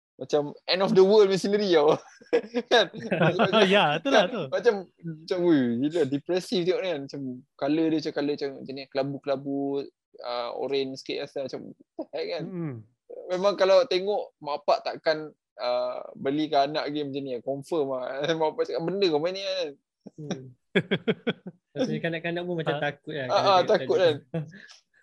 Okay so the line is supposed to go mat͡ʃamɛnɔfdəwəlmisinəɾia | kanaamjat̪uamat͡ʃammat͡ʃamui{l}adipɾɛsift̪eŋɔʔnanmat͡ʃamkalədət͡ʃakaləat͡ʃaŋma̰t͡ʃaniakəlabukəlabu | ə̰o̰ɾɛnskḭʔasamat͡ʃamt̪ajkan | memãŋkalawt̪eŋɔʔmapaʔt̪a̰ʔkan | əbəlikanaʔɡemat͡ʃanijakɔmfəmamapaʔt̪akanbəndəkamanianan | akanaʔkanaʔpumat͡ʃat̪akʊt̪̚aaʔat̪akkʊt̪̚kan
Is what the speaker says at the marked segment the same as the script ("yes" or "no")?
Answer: yes